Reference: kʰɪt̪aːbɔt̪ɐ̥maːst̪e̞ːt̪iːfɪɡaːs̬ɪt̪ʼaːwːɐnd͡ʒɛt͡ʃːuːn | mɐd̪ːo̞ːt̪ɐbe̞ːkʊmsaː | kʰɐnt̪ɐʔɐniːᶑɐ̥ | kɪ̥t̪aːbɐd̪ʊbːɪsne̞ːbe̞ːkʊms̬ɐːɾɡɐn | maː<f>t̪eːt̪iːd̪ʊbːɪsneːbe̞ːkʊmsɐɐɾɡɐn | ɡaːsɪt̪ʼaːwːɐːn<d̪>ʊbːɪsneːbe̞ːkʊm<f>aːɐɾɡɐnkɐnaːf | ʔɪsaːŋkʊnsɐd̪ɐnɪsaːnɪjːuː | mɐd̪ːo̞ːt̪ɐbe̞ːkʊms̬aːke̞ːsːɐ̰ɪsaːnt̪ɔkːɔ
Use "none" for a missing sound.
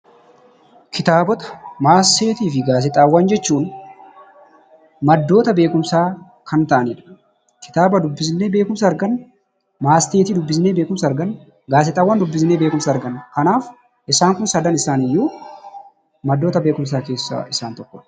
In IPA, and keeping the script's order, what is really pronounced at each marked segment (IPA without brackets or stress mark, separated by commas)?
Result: s, d̪, s